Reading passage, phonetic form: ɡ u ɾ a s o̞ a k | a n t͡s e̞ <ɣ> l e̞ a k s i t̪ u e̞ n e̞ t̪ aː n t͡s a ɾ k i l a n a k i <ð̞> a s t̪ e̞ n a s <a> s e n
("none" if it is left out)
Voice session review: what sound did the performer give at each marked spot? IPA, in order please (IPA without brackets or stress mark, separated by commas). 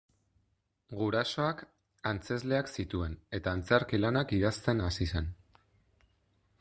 z, ð̞, i